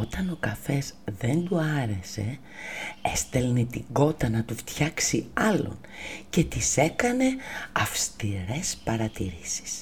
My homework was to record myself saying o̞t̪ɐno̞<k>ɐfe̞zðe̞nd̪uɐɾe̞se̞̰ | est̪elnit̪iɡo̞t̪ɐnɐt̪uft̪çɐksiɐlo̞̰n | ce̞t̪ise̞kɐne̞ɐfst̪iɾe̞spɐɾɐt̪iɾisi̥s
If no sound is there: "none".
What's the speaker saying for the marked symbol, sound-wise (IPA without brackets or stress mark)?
k